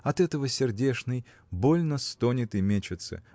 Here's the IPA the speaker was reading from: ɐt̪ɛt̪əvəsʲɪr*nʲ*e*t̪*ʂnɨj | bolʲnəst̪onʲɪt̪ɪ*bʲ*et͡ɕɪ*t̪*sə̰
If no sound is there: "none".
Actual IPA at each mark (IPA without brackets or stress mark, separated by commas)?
dʲ, none, mʲ, t̪